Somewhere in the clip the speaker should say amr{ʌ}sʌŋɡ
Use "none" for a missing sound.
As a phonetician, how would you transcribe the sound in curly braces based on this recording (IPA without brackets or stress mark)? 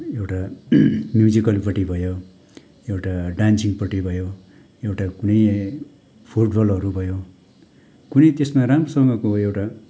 ʌ